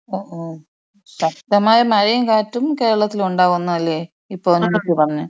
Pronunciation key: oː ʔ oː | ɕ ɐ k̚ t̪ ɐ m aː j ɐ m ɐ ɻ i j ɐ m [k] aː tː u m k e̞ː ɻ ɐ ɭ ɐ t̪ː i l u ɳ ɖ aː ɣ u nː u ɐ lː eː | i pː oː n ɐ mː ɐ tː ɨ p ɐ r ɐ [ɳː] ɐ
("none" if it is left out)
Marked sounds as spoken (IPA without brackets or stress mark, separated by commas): k, ɲː